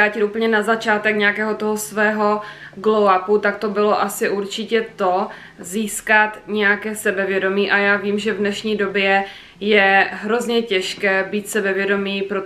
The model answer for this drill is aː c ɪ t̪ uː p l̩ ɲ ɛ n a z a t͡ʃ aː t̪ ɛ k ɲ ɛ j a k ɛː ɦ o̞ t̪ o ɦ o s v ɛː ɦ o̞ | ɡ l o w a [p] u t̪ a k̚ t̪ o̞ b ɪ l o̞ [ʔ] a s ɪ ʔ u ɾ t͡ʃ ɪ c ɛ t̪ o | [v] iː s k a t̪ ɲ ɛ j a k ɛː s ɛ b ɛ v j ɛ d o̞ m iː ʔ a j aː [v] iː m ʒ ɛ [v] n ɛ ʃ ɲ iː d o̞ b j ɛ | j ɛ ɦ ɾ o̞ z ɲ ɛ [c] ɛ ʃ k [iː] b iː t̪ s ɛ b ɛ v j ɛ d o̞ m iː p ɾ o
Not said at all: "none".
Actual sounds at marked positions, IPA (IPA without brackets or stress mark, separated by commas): p, ʔ, z, v, v, c, ɛː